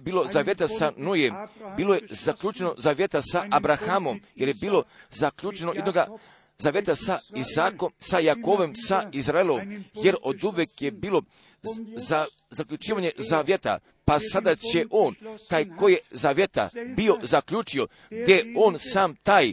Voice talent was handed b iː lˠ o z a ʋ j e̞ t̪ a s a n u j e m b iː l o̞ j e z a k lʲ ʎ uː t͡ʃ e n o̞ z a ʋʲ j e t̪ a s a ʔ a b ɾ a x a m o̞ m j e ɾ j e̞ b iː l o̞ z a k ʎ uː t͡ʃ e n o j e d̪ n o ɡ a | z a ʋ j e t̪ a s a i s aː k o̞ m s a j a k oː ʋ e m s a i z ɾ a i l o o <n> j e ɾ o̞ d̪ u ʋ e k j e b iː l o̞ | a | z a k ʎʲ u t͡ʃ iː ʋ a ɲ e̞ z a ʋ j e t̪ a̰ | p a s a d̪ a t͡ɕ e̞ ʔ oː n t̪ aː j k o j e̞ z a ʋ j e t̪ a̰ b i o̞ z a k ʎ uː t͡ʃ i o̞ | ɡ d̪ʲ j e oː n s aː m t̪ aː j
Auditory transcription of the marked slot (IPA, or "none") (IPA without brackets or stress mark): m